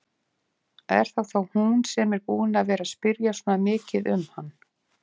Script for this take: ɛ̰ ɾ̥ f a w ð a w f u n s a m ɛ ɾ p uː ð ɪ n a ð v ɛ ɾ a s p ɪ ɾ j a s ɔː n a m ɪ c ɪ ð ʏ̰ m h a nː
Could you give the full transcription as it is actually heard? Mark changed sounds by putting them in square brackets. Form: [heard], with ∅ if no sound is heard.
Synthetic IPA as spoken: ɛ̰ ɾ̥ [θ] a w [θ] a w [h] u n s [ɛ] m ɛ ɾ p uː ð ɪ n a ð v [ɛː] ɾ a s p ɪ ɾ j a s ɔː n a m [ɪː] c ɪ ð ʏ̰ m h a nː